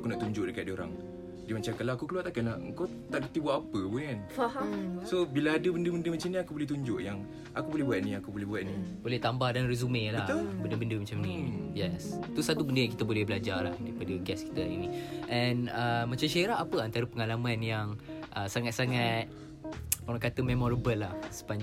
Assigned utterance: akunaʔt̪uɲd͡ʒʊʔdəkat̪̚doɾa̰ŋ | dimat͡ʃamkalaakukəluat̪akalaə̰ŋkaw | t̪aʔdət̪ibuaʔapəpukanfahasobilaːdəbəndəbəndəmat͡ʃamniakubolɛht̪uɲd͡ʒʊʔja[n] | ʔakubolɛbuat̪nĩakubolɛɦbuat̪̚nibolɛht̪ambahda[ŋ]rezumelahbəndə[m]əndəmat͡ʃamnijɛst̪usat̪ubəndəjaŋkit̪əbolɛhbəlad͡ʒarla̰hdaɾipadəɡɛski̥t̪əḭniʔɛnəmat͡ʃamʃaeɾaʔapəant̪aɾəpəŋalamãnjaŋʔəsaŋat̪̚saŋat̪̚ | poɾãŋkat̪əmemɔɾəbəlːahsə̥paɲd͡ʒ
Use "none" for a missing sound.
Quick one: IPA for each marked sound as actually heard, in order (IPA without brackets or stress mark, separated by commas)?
ŋ, n, b